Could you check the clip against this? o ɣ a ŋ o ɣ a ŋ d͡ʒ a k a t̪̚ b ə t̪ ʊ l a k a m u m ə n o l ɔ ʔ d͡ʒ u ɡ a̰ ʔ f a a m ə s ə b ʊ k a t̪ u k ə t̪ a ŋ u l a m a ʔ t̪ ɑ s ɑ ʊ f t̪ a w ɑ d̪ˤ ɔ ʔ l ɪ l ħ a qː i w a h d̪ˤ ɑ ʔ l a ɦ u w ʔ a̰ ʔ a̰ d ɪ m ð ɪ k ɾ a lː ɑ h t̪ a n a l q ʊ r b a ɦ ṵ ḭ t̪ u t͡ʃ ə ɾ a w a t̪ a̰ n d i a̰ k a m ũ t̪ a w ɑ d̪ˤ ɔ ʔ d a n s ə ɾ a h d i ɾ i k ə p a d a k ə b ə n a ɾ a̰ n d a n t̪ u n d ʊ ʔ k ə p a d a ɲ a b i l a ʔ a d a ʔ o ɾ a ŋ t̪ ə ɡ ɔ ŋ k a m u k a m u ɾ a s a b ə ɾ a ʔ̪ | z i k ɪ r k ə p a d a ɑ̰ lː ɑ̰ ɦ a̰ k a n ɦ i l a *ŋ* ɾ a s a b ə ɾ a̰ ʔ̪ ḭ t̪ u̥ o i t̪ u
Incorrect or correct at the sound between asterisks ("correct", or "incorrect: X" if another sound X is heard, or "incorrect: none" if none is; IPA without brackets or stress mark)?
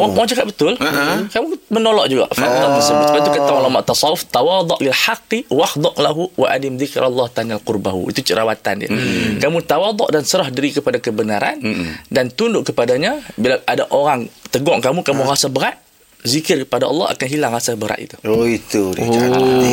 correct